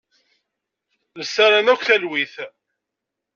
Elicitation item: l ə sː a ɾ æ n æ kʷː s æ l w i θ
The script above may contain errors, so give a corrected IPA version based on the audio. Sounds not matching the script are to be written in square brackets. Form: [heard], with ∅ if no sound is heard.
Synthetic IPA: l ə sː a ɾ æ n æ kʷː [θ] æ l w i θ